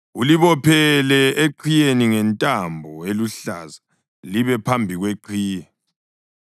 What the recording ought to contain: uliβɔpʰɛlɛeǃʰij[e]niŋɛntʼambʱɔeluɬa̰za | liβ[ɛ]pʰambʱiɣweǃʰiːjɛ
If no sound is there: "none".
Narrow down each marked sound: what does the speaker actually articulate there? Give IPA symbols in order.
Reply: e, ɛ

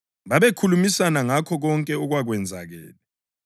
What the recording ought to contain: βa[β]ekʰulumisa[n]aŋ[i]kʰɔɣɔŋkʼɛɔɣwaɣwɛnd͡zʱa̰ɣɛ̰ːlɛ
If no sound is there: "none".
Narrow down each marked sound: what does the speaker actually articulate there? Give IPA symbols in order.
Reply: β, n, a

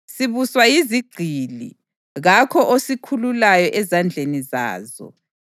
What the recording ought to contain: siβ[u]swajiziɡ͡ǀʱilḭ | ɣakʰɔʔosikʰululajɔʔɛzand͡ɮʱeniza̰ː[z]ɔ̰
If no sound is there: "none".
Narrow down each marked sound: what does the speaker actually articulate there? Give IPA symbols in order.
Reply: u, z

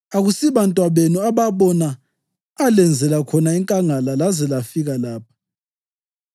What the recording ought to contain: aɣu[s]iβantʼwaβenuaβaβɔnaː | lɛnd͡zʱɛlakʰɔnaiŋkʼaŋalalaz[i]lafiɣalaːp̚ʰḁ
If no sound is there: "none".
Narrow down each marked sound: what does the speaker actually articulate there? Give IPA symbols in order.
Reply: s, ɛ

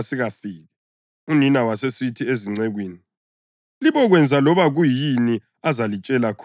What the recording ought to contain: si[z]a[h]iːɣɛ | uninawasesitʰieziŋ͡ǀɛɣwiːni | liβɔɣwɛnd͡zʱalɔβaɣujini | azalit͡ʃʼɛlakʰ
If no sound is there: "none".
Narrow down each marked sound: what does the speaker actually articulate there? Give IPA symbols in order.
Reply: ɣ, f

